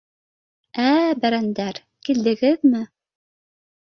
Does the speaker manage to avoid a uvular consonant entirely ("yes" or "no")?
yes